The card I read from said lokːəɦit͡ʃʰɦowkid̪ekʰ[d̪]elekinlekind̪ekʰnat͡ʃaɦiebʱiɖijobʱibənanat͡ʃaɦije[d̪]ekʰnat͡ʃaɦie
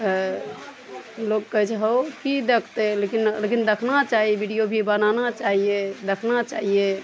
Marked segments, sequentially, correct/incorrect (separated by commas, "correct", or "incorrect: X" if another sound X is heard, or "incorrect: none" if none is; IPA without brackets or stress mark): incorrect: t̪, correct